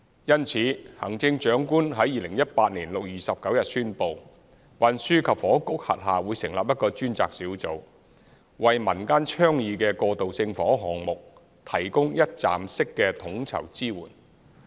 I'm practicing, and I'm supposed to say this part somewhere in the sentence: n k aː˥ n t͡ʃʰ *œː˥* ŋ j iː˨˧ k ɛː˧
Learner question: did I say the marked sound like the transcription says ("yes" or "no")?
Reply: yes